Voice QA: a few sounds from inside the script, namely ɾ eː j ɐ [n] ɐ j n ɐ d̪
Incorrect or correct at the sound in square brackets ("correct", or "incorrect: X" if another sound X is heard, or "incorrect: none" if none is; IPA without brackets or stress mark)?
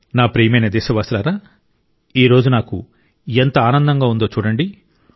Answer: incorrect: m